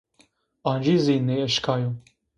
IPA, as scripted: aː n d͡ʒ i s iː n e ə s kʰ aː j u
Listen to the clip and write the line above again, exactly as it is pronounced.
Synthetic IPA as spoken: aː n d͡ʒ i z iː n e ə ʃ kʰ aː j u